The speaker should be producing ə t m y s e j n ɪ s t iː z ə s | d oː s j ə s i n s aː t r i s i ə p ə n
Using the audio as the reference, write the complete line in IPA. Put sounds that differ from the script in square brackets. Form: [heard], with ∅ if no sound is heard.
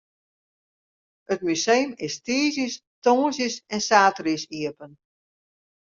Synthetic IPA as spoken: ə t m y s e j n ɪ s t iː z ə s | [t] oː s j ə s [ɛ] n s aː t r i s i ə p ə n